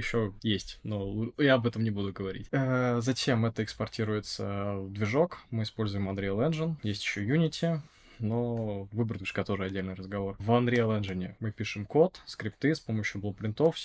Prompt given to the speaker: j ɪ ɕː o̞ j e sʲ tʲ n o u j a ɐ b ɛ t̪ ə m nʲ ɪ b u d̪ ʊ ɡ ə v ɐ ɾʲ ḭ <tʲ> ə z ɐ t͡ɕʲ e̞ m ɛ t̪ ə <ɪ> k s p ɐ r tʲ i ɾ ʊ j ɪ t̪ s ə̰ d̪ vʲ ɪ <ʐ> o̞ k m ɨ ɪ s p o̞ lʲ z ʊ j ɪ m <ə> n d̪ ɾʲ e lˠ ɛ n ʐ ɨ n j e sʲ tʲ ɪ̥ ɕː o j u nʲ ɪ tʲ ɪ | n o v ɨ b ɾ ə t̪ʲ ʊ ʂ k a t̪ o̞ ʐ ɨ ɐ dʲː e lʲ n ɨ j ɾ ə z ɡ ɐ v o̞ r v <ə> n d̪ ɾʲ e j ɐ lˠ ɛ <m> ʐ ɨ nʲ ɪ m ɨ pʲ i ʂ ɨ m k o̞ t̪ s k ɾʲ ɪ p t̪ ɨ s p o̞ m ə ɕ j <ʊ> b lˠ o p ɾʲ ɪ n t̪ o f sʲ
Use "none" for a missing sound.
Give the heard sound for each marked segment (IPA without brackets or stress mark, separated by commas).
tʲ, ɪ, ʐ, ɐ, ɐ, n, ʊ